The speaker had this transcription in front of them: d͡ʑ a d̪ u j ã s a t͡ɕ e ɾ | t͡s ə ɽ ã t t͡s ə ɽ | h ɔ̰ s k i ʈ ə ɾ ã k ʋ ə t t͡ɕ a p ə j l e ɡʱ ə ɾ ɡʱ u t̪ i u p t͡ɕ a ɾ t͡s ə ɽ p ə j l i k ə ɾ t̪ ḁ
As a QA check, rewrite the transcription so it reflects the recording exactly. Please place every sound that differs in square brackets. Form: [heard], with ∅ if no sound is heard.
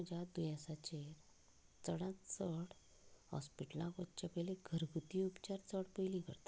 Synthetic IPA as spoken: d͡ʑ a d̪ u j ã s a t͡ɕ e ɾ | t͡s ə ɽ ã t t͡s ə ɽ | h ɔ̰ s [p] i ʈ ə [l] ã k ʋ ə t t͡ɕ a p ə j l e ɡʱ ə ɾ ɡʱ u t̪ i u p t͡ɕ a ɾ t͡s ə ɽ p ə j l i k ə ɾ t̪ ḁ